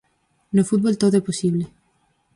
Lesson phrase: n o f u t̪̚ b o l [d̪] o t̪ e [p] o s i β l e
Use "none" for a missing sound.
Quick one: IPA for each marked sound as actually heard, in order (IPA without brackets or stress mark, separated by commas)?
t̪, p